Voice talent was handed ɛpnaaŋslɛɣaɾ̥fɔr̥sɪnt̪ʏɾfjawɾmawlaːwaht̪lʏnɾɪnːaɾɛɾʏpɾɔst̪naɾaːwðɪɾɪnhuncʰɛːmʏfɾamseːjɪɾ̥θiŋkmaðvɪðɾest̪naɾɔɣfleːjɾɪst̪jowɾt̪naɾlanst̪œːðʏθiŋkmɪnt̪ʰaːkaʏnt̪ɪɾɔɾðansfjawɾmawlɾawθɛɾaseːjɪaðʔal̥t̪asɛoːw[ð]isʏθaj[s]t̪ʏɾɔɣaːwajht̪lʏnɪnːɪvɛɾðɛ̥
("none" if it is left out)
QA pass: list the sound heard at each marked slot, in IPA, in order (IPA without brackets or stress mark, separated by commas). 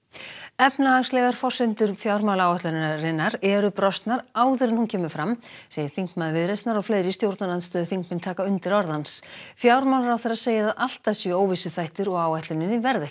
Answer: v, h